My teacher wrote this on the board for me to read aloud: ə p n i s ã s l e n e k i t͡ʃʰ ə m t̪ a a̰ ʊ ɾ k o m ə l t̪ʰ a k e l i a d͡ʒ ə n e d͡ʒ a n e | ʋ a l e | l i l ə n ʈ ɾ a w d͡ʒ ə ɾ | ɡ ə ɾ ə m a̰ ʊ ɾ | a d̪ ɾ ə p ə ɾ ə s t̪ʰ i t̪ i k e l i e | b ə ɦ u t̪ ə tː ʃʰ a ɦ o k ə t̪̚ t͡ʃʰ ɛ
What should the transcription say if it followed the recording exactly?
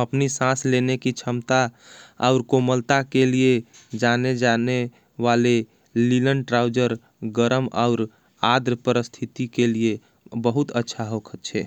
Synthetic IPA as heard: ə p n i s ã s l e n e k i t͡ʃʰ ə m t̪ a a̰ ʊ ɾ k o m ə l t̪ a k e l i e d͡ʒ a n e d͡ʒ a n e | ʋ a l e | l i l ə n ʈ ɾ a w d͡ʒ ə ɾ | ɡ ə ɾ ə m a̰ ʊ ɾ | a d̪ ɾ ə p ə ɾ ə s t̪ʰ i t̪ i k e l i e | b ə ɦ u t̪ ə tː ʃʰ a ɦ o kʰ ə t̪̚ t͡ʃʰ ɛ